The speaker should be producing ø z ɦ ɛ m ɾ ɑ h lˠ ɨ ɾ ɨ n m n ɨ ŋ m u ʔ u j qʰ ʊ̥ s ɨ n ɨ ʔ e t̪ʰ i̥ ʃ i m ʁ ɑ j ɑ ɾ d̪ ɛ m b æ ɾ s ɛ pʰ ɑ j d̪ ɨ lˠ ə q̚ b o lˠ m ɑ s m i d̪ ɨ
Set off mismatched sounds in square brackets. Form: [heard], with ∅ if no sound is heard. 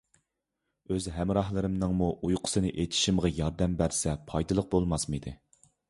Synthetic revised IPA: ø z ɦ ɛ m ɾ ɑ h lˠ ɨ ɾ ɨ [∅] m n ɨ ŋ m u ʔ u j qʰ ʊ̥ s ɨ n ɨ ʔ e t̪ʰ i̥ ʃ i m ʁ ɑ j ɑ ɾ d̪ ɛ m b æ ɾ s ɛ pʰ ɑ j d̪ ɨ lˠ ə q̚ b o lˠ m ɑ s m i d̪ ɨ